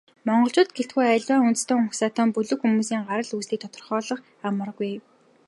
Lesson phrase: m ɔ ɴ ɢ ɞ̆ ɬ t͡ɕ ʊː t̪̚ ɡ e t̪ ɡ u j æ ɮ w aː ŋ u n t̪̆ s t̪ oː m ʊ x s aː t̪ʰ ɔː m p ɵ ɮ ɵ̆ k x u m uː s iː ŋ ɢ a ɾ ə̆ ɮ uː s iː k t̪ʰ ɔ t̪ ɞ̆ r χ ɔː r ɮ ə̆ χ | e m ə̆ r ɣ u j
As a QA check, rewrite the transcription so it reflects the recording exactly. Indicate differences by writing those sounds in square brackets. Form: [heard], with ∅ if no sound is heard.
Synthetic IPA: m ɔ ɴ ɢ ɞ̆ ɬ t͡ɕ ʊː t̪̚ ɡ e t̪ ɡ u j æ ɮ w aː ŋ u n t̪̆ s t̪ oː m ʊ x s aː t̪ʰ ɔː m p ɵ ɮ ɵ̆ k x u m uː s iː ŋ ɢ a ɾ ə̆ ɮ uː s iː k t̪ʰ ɔ t̪ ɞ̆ r χ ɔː [∅] ɮ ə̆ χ | [a] m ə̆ r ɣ u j

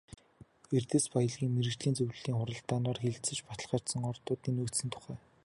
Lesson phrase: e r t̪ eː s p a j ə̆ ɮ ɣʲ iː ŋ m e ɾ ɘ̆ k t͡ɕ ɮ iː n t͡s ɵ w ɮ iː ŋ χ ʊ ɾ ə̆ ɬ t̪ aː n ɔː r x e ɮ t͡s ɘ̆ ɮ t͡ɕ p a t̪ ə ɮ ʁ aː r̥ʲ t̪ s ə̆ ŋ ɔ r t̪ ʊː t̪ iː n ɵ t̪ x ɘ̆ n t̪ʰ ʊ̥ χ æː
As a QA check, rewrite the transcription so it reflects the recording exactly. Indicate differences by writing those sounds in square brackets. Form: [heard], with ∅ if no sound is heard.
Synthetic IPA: e r t̪ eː s p a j ə̆ ɮ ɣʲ iː ŋ m e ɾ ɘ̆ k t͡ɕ ɮ iː n t͡s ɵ w ɮ iː ŋ χ ʊ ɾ ə̆ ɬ t̪ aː n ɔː r x e ɮ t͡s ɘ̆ [∅] t͡ɕ p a t̪ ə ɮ [χ] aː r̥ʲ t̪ s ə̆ ŋ ɔ r t̪ ʊː t̪ iː n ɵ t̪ [s] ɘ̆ n t̪ʰ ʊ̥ χ æː

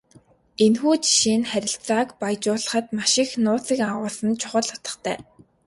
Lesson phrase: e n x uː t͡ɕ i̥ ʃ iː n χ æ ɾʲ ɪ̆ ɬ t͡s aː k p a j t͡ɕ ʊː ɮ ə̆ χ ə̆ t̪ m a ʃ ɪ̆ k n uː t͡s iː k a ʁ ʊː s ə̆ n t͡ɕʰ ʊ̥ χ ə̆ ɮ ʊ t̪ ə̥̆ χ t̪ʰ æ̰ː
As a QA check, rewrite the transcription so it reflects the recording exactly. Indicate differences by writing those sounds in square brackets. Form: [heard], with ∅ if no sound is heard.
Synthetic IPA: e n x uː t͡ɕ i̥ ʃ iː n χ æ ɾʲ ɪ̆ ɬ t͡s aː k p a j t͡ɕ ʊː ɮ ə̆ χ ə̆ t̪ m a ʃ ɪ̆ [x] n [ʊː] t͡s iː k a ʁ ʊː s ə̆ n t͡ɕʰ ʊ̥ χ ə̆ ɮ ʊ t̪ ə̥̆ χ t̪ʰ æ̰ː

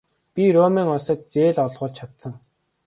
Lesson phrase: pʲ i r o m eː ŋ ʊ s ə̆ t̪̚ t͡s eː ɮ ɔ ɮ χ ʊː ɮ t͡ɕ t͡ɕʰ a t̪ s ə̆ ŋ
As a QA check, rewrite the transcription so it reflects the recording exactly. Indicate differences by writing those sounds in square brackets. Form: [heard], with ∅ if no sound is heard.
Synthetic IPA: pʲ i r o m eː ŋ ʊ s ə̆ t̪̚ t͡s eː ɮ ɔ ɮ [ʁ] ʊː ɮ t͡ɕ t͡ɕʰ a t̪ s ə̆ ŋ

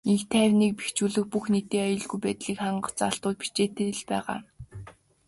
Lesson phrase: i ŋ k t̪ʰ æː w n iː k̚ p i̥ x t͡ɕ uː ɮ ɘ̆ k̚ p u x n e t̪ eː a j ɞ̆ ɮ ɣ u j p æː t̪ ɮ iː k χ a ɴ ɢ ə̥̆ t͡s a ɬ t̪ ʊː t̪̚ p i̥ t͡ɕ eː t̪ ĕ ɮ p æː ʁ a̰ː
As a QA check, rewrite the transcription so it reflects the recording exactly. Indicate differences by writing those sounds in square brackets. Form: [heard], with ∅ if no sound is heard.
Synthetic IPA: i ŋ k t̪ʰ æː w n iː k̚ p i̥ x t͡ɕ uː ɮ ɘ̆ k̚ p u x n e t̪ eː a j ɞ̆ ɮ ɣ u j p æː t̪ ɮ iː k χ a ɴ ɢ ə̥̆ t͡s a ɬ t̪ ʊː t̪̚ p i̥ t͡ɕ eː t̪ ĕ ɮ p æː ʁ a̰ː

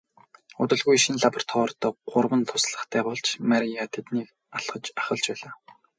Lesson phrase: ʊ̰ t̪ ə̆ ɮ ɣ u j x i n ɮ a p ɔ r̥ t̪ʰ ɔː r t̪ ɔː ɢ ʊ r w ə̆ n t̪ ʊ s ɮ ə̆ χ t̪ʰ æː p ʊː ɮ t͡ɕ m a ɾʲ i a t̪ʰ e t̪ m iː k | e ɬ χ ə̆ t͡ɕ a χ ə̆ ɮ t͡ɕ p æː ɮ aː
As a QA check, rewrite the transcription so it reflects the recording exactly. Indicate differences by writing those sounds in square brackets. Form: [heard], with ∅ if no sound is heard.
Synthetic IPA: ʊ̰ t̪ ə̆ ɮ ɣ u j [ʃ] i n ɮ a p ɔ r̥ t̪ʰ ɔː r t̪ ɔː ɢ ʊ r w ə̆ n [t̪ʰ] ʊ s ɮ ə̆ χ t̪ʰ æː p ʊː ɮ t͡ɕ m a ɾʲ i a t̪ʰ e t̪ [n] iː k | [a] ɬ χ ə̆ t͡ɕ a χ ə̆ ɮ t͡ɕ p æː ɮ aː

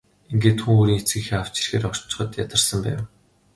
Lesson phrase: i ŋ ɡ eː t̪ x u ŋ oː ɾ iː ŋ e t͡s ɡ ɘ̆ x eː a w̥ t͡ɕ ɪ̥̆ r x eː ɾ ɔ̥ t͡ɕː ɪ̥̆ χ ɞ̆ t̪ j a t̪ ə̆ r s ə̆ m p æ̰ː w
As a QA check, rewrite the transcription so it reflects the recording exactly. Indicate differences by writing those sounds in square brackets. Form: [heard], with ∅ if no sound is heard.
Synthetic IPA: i ŋ ɡ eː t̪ x u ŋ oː ɾ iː ŋ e t͡s ɡ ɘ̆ x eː a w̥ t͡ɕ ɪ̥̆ r x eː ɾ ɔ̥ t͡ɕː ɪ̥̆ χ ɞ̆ t̪ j a t̪ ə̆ r s ə̆ m p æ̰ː w

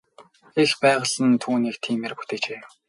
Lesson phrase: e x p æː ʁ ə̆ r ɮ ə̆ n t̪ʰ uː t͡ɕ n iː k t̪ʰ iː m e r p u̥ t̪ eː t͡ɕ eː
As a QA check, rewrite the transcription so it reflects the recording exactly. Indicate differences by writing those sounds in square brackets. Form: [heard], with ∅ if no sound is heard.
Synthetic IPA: e x p æː ʁ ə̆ [∅] ɮ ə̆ n t̪ʰ uː [∅] n iː k t̪ʰ iː m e r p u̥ t̪ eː t͡ɕ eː

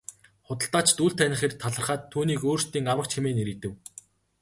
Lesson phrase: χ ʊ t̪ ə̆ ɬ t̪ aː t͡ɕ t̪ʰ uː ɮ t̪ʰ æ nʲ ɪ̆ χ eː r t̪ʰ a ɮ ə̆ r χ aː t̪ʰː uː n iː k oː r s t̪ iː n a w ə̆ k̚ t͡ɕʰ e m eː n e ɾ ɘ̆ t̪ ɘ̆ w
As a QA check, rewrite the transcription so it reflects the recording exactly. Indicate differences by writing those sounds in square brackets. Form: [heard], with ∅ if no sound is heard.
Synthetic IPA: χ ʊ t̪ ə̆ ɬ t̪ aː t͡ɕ [t̪] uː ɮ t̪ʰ æ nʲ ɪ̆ χ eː r t̪ʰ a ɮ ə̆ r χ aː t̪ʰː uː n iː k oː r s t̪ iː [ŋ] a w ə̆ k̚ t͡ɕʰ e m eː n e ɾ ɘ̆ t̪ ɘ̆ w

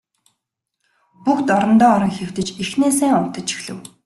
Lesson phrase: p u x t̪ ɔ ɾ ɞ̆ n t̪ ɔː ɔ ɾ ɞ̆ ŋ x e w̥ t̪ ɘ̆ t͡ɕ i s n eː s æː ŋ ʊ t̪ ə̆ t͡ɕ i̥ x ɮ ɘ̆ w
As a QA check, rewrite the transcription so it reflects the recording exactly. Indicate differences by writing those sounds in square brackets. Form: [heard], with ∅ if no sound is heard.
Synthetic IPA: p u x t̪ ɔ ɾ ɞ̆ n t̪ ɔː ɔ ɾ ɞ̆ ŋ x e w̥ t̪ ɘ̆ t͡ɕ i [x] n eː s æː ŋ ʊ t̪ ə̆ t͡ɕ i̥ x ɮ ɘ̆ w

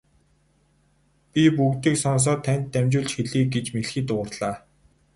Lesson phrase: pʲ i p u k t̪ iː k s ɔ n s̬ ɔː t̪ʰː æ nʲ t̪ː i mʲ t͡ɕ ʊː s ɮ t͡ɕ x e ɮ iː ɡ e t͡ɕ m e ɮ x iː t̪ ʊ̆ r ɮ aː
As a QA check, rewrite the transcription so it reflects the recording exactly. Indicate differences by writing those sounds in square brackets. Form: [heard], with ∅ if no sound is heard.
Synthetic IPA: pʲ i p u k t̪ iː k s ɔ n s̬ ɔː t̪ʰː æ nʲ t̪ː [æ] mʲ t͡ɕ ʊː [∅] ɮ t͡ɕ x e ɮ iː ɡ e t͡ɕ m e ɮ x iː t̪ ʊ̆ r ɮ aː

